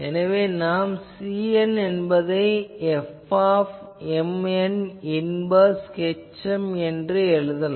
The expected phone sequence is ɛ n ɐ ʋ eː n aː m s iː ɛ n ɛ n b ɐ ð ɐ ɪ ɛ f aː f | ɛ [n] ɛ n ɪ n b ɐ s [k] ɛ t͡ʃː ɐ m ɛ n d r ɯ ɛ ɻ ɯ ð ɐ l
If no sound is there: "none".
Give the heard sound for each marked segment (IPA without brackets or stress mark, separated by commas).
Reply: m, k